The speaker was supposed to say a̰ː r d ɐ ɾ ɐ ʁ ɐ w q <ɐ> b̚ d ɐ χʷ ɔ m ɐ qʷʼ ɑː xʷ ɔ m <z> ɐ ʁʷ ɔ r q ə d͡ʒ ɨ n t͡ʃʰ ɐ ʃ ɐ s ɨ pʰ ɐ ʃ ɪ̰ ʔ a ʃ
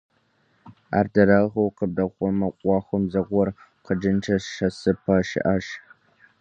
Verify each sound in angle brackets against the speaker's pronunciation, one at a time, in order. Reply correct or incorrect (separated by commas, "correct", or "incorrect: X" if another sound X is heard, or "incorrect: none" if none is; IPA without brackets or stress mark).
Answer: incorrect: ə, correct